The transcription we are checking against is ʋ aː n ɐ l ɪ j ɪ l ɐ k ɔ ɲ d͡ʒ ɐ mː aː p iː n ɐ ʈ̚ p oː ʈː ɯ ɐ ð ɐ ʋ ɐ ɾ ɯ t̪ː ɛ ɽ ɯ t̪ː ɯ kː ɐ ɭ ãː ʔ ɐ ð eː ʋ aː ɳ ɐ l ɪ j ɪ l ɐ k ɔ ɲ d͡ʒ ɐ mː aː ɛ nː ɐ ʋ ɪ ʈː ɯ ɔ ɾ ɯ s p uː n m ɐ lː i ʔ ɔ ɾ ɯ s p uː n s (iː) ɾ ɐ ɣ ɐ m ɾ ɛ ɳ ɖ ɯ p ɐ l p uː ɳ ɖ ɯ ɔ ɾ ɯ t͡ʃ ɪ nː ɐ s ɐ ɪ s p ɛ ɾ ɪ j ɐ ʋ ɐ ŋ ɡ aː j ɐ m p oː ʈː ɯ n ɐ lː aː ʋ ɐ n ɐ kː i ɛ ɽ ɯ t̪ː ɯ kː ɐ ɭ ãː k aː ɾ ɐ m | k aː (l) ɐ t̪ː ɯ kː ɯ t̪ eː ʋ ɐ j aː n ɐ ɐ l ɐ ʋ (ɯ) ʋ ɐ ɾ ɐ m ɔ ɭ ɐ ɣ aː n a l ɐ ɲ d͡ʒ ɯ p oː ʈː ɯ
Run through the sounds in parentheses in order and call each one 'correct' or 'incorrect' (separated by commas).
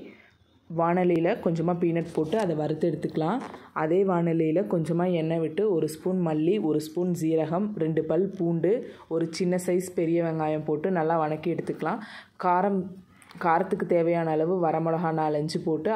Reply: correct, incorrect, correct